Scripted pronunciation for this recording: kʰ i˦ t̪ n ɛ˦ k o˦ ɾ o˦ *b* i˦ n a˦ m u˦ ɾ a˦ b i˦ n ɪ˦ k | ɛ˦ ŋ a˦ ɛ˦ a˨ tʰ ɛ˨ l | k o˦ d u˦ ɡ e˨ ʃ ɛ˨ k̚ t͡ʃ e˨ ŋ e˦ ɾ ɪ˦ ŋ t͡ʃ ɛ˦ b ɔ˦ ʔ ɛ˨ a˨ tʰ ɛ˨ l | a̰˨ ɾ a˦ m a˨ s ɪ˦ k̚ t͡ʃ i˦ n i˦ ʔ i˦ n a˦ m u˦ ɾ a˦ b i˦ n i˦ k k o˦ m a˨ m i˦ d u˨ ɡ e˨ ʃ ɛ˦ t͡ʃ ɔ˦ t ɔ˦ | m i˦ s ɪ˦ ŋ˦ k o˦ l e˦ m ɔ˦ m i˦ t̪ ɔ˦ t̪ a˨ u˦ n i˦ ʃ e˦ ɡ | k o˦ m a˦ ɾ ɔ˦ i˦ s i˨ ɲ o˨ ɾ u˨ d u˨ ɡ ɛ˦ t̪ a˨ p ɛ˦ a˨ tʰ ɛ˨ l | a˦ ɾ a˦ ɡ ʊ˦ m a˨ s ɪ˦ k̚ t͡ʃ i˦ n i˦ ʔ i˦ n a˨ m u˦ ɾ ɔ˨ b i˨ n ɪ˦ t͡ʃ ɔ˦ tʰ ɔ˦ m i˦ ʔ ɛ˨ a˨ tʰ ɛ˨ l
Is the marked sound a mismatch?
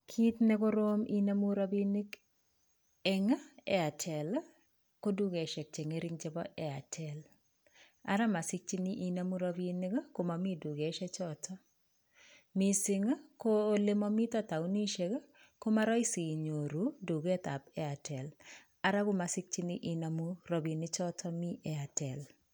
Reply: yes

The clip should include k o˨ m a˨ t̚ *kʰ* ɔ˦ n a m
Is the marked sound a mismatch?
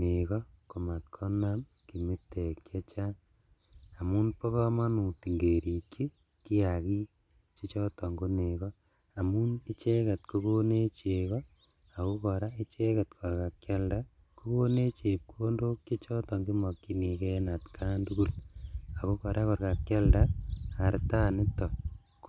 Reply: no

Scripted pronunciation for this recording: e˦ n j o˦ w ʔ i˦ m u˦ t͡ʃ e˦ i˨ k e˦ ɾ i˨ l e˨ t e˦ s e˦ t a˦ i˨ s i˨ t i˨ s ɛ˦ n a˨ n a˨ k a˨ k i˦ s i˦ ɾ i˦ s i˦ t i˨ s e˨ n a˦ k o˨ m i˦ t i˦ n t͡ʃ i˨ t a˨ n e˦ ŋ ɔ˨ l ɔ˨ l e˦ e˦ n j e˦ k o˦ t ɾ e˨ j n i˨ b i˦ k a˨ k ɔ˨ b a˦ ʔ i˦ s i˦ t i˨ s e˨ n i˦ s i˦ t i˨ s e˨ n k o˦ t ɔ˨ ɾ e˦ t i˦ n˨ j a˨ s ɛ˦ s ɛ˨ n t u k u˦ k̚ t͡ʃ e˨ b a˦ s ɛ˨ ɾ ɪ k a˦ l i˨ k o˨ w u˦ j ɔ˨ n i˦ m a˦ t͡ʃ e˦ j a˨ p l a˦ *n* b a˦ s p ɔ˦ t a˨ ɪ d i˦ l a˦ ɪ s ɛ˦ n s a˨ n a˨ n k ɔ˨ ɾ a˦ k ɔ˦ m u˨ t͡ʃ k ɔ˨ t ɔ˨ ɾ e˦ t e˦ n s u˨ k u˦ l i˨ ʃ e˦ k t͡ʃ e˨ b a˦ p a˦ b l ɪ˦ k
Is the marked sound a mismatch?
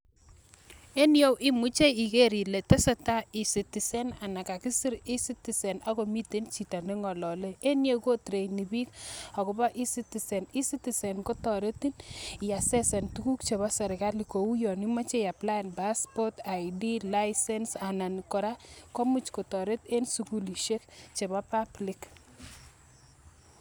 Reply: no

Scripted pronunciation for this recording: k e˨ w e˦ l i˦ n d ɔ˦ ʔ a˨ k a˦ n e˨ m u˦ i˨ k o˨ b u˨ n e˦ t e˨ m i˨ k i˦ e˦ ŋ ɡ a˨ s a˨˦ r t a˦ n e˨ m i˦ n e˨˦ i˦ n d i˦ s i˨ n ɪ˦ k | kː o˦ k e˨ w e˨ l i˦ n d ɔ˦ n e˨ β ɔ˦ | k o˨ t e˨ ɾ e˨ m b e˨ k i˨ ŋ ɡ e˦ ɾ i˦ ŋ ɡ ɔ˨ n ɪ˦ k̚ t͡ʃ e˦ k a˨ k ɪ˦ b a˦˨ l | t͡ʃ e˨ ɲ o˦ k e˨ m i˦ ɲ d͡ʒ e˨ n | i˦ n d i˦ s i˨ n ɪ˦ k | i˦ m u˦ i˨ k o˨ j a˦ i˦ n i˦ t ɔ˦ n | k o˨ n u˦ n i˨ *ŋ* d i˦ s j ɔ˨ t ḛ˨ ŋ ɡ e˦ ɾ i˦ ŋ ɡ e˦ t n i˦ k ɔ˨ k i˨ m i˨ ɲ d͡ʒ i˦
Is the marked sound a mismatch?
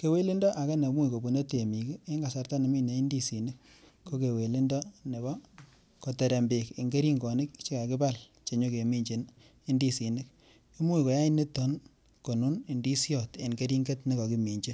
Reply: yes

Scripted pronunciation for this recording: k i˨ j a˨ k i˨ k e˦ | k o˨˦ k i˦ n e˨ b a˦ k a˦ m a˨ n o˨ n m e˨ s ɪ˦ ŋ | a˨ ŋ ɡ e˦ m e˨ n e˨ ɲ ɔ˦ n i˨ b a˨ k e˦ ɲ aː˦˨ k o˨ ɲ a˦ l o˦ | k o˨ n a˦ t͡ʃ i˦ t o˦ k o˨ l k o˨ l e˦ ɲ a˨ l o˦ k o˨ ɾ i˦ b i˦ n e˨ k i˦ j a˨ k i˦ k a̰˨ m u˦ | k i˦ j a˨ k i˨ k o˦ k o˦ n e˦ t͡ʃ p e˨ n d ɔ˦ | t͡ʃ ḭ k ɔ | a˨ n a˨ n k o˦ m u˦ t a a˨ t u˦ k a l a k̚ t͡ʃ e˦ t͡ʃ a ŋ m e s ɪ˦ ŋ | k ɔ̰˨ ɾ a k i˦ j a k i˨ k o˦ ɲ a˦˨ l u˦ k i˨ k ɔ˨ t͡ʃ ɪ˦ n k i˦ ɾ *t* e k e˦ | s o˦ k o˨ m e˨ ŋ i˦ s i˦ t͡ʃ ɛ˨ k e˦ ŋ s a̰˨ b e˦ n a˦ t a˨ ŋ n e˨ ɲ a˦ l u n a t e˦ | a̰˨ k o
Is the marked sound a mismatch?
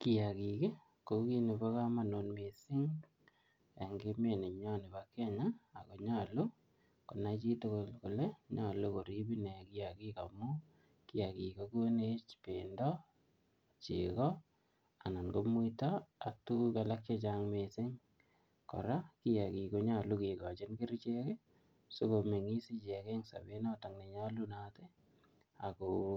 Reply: yes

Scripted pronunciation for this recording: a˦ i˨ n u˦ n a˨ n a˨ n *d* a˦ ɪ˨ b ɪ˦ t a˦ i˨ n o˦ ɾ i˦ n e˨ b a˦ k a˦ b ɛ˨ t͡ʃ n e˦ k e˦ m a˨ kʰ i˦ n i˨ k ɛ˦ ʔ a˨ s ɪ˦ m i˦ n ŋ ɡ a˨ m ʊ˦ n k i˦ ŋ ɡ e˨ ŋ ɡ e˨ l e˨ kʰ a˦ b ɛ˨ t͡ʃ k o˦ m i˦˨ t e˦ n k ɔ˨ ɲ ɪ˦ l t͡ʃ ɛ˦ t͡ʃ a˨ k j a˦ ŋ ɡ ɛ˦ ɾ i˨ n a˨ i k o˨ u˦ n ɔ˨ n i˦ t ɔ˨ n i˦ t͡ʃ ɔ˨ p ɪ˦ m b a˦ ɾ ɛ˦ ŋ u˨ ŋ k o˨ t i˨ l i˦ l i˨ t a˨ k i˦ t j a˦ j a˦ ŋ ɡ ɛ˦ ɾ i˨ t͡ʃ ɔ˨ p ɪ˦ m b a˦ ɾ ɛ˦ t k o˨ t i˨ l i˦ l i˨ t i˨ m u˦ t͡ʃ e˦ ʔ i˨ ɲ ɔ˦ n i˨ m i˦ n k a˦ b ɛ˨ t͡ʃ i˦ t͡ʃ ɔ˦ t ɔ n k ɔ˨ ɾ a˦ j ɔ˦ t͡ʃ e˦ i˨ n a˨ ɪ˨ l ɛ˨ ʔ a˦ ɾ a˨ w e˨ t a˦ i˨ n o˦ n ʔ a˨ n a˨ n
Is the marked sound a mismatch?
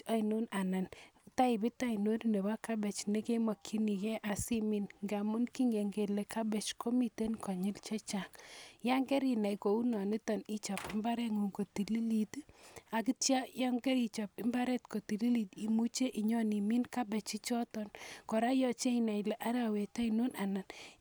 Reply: yes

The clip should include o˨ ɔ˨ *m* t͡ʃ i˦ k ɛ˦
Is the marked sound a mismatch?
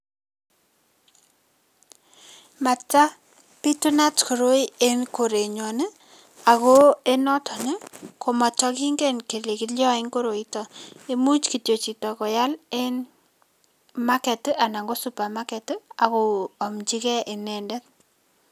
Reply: no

